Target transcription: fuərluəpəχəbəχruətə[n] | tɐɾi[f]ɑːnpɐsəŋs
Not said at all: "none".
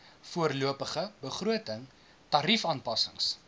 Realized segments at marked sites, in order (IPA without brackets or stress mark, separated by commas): ŋ, f